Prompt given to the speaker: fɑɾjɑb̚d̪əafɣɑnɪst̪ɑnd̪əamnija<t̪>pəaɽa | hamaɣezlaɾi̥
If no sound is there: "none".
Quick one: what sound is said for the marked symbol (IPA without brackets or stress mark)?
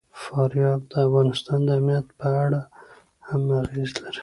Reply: t̪